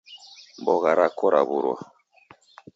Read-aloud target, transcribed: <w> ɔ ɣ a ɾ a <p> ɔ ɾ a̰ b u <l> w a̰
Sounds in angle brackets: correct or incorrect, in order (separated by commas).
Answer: incorrect, incorrect, incorrect